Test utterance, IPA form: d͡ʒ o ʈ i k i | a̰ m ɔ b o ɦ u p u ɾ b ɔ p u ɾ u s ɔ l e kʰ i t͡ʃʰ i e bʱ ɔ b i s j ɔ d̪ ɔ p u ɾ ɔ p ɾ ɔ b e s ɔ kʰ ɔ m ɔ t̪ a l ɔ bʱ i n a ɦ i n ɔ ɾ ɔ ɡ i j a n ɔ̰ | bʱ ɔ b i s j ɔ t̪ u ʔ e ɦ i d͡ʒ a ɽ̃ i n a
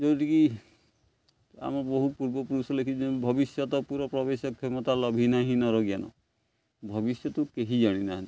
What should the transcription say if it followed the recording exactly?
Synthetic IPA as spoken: d͡ʒ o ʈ i k i | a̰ m ɔ b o ɦ u p u ɾ b ɔ p u ɾ u s ɔ l e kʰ i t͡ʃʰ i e bʱ ɔ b i s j ɔ t̪ ɔ p u ɾ ɔ p ɾ ɔ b e s ɔ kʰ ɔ m ɔ t̪ a l ɔ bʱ i n a ɦ i n ɔ ɾ ɔ ɡ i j a n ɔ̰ | bʱ ɔ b i s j ɔ t̪ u k e ɦ i d͡ʒ a ɽ̃ i n a